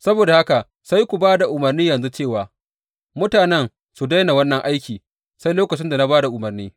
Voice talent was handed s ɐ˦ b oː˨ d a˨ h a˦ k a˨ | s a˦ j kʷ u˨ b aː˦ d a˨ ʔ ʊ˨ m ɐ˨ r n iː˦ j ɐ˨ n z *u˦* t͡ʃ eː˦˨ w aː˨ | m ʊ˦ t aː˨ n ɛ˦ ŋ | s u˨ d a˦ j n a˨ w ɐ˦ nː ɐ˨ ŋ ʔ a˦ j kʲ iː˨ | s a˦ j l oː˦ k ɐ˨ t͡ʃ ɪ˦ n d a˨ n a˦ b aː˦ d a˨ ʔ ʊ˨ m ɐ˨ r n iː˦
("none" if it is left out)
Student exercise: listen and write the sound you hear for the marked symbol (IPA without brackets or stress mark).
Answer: u˦